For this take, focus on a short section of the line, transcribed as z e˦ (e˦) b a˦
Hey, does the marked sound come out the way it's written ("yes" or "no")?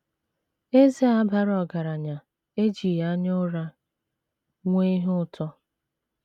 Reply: no